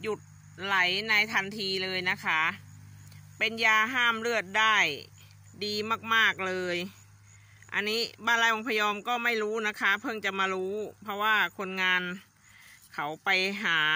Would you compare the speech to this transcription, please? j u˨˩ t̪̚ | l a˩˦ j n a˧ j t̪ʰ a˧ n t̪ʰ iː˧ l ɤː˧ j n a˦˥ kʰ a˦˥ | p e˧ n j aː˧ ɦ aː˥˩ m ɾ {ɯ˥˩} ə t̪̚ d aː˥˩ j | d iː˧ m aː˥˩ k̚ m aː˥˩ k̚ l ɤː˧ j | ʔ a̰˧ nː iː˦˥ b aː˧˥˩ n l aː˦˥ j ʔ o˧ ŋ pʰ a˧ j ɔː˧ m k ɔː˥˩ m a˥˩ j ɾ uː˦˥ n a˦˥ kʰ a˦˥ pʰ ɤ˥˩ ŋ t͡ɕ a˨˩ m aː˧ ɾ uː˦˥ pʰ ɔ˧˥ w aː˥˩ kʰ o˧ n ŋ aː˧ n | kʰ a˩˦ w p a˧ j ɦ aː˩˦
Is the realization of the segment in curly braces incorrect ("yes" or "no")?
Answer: no